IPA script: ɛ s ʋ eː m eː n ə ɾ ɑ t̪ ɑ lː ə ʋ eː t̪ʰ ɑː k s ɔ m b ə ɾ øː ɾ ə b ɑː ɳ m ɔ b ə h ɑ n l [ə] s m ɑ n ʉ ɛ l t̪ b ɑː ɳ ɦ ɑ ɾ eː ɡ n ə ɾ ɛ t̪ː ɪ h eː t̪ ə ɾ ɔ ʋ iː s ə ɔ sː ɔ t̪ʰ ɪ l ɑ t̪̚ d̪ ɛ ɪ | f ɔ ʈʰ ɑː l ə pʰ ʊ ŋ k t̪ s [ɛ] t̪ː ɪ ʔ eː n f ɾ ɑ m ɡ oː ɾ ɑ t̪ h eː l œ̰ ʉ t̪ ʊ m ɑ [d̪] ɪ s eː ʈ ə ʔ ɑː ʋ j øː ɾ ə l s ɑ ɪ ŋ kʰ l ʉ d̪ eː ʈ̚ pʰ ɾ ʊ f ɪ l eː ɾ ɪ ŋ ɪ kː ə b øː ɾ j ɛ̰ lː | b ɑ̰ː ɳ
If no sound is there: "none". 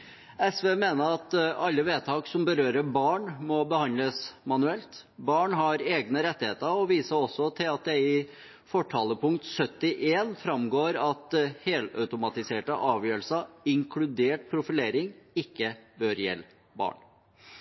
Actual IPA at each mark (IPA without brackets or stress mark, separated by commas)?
ə, œ, t̪